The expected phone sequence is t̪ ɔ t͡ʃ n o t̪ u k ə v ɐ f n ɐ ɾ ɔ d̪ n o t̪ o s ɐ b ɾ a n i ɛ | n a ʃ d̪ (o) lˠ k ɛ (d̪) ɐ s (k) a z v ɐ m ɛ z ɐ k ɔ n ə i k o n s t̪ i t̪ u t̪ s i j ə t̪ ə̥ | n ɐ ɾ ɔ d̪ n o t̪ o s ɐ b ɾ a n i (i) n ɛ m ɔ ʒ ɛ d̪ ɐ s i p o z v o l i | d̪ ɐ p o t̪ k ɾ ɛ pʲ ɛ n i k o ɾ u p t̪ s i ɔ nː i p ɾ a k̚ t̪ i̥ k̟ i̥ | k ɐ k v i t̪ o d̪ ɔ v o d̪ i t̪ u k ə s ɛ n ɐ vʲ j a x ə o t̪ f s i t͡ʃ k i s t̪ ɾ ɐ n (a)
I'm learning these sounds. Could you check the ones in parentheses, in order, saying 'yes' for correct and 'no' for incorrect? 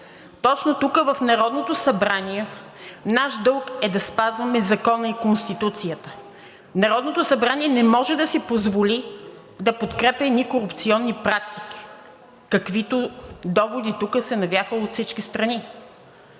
no, yes, no, no, no

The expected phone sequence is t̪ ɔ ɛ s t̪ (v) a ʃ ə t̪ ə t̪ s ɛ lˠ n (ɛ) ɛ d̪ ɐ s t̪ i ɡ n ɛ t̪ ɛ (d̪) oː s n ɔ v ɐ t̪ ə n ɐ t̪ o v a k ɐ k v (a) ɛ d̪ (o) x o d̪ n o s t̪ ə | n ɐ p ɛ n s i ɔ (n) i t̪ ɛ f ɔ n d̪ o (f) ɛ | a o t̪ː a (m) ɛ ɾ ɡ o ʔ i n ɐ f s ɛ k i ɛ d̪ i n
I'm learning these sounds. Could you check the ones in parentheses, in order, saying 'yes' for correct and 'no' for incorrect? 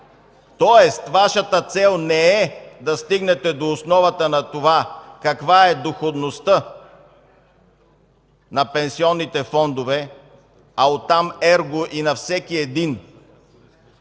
yes, yes, yes, yes, yes, no, no, yes

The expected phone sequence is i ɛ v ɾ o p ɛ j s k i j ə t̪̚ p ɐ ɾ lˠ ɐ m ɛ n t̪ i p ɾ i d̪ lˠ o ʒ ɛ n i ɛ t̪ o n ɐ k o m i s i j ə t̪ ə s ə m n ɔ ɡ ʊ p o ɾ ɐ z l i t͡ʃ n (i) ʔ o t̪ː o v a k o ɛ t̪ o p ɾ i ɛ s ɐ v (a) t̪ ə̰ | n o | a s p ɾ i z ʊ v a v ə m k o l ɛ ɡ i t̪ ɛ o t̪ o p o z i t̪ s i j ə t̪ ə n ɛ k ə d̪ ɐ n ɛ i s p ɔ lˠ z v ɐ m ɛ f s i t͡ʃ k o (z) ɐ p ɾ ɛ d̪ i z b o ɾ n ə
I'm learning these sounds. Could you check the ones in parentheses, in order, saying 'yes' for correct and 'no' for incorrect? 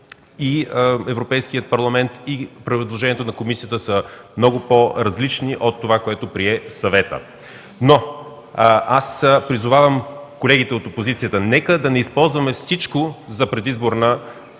yes, no, yes

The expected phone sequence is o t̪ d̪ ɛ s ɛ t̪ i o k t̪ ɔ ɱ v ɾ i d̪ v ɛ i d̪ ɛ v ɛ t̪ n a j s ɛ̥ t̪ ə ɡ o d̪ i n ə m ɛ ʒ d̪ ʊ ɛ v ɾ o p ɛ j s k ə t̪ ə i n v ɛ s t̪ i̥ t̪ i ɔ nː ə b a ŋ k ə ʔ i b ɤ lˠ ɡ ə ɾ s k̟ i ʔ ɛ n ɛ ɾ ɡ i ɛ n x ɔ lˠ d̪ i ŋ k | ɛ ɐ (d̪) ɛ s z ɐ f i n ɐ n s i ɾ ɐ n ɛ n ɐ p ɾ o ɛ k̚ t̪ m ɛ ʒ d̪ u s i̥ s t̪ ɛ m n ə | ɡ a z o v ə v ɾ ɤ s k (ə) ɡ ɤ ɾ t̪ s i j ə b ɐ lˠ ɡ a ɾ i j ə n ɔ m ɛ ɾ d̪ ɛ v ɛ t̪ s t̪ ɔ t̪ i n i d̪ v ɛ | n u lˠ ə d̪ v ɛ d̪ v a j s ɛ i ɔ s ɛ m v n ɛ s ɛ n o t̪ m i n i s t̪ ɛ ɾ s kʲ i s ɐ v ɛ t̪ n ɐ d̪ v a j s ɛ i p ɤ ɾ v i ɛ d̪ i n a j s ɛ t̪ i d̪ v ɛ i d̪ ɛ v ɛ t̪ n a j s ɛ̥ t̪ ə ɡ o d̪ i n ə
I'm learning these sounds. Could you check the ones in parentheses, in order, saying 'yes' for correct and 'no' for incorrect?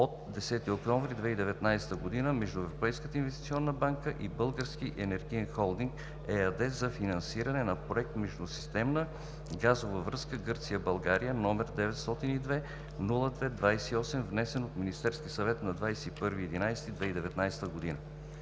yes, yes

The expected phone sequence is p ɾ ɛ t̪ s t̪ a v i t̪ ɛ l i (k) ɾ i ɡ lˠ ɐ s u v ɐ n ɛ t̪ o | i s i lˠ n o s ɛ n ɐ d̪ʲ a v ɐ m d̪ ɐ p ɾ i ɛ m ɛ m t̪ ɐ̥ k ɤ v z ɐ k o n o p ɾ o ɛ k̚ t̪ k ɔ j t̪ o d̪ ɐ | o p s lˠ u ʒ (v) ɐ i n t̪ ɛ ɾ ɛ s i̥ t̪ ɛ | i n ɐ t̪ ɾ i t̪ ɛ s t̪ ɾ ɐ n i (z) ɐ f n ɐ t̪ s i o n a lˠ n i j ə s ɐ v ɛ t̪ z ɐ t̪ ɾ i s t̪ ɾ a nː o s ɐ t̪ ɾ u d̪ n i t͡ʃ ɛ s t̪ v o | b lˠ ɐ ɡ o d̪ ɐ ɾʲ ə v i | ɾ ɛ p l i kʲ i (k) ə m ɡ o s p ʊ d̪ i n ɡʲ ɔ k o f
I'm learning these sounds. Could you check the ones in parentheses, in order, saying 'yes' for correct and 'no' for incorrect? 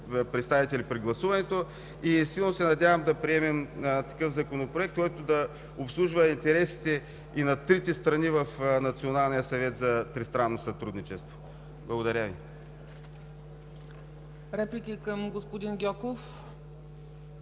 no, yes, no, yes

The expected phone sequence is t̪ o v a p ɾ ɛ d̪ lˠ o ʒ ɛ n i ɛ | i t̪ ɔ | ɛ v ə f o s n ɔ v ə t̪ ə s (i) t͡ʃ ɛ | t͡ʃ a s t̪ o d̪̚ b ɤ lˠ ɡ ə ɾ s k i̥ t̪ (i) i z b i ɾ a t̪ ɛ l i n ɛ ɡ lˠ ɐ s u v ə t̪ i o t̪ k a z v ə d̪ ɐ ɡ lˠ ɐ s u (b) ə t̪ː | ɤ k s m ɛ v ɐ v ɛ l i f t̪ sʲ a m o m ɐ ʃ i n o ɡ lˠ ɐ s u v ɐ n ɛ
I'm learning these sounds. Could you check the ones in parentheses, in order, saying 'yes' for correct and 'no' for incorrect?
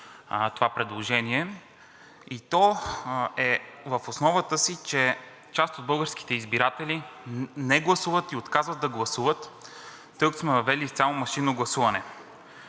yes, no, no

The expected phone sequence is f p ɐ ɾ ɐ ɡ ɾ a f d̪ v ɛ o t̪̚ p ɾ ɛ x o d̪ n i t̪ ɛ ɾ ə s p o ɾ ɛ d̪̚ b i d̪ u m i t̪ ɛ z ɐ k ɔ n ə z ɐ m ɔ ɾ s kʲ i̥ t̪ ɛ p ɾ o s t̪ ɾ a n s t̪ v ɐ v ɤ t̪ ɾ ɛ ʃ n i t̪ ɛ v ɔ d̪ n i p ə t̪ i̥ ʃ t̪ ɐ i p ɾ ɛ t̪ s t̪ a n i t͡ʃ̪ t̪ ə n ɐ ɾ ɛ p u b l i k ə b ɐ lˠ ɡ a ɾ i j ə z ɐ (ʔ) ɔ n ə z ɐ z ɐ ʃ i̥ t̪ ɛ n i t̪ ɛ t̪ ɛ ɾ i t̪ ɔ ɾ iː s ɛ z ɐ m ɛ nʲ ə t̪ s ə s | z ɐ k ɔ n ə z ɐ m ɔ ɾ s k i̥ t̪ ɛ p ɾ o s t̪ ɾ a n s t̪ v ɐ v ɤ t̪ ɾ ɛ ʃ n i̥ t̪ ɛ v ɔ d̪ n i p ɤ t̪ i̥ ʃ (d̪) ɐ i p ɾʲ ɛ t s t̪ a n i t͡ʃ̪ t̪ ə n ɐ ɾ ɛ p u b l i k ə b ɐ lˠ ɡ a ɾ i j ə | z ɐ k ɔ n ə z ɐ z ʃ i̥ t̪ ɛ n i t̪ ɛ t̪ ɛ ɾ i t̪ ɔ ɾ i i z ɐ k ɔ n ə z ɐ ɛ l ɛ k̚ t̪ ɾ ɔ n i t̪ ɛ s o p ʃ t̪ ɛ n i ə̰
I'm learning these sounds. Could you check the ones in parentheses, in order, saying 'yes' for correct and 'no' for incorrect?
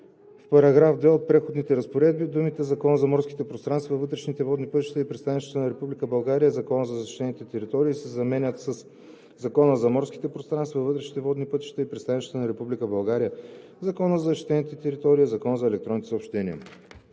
no, no

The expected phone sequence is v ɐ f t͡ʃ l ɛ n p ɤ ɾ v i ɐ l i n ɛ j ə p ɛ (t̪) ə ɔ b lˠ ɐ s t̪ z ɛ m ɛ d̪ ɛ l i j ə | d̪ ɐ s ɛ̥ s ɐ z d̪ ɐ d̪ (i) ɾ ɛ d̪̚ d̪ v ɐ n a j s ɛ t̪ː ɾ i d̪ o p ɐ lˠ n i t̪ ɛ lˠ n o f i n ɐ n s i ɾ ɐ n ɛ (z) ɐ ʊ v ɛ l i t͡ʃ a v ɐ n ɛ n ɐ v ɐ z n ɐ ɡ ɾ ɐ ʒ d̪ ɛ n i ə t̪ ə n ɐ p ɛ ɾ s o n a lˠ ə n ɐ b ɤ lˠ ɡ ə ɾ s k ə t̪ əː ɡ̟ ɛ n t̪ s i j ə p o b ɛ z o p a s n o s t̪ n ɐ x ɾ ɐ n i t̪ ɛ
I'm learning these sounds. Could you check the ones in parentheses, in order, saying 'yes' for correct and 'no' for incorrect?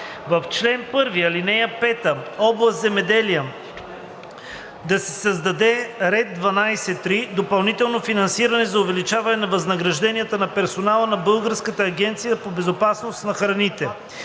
yes, no, yes

